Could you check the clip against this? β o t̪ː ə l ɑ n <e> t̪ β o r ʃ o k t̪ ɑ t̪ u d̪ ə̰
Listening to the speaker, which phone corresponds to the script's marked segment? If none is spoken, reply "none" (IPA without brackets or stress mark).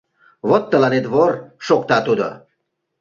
e